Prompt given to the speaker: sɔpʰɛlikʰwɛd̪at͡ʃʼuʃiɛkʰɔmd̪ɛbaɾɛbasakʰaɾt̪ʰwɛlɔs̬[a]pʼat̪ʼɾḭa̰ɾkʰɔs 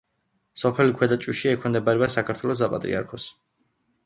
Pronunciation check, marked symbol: correct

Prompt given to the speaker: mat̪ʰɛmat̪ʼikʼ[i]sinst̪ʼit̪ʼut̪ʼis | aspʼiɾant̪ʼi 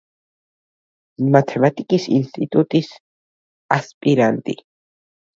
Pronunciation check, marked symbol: correct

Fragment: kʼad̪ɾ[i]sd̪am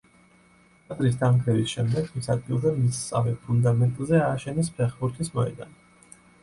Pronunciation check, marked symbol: correct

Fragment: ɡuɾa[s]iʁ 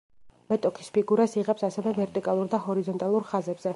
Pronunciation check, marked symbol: correct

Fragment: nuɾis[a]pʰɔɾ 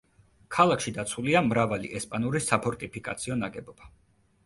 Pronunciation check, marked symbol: correct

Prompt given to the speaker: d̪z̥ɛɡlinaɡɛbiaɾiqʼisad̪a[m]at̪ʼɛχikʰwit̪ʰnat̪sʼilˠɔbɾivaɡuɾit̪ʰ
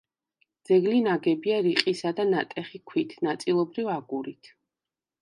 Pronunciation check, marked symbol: incorrect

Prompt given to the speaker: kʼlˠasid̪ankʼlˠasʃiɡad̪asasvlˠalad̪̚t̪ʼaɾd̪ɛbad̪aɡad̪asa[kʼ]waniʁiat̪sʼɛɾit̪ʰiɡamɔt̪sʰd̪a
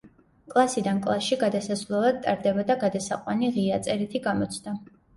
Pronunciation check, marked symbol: incorrect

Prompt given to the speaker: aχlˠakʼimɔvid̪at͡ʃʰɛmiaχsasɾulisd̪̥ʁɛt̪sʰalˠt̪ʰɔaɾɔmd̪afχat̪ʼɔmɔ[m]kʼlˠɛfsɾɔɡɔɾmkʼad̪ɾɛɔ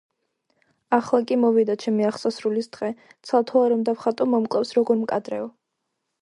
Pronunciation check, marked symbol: correct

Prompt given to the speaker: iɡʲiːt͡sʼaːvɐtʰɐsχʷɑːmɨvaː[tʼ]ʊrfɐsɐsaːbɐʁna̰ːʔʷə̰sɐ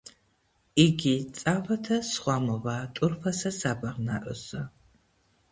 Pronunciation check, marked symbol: correct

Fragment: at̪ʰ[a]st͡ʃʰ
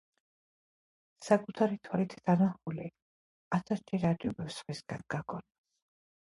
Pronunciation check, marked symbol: correct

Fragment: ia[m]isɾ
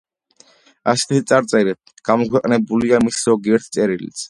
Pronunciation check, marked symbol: correct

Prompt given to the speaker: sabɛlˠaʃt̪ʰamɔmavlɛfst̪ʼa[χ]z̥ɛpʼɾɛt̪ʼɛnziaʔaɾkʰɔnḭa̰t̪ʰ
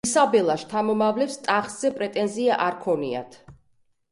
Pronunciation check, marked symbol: correct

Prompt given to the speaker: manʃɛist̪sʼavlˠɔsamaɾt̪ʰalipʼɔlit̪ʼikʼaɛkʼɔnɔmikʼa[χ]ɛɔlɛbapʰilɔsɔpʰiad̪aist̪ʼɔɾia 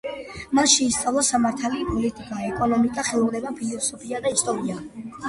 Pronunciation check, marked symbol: correct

